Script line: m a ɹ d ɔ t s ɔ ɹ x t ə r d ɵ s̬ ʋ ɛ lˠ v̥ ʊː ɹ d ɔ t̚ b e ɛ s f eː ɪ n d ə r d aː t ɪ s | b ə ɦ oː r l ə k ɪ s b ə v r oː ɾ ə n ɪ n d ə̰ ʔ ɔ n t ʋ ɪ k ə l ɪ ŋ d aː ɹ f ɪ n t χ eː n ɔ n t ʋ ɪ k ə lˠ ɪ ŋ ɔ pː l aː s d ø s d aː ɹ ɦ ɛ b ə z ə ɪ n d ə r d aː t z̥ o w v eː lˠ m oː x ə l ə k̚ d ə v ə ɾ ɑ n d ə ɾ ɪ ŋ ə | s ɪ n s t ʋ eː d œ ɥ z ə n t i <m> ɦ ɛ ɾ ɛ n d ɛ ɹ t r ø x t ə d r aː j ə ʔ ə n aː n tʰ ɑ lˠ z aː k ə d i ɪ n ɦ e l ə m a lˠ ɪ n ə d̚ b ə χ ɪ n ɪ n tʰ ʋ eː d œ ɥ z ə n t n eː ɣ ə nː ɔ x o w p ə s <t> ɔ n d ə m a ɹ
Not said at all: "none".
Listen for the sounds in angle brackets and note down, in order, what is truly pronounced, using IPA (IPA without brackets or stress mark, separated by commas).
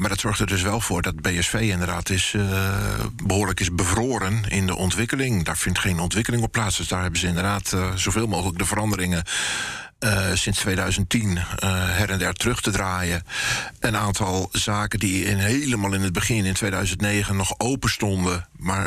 n, t